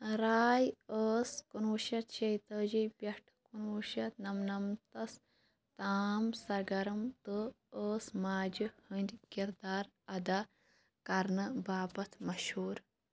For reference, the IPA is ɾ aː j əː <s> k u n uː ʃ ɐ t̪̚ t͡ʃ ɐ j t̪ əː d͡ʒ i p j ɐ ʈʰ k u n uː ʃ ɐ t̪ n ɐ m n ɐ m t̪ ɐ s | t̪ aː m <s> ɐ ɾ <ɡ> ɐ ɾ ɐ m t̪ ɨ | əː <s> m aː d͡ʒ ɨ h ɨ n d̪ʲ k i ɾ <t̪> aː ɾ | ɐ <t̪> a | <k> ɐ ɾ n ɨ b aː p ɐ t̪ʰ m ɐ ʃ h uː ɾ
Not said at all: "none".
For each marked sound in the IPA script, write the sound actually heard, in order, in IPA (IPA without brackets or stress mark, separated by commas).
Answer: s, s, ɡ, s, d̪, d̪, k